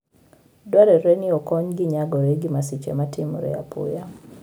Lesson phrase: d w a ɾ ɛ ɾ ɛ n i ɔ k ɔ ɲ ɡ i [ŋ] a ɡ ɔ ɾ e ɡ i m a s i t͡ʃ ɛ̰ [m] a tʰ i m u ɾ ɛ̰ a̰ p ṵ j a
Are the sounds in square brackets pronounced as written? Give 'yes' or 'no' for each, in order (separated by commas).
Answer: no, yes